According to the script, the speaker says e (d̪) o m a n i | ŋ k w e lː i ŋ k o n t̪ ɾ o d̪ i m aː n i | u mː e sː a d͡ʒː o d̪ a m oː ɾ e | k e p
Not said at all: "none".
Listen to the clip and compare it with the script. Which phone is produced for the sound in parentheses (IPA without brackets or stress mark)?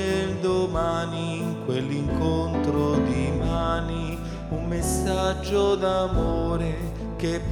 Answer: d̪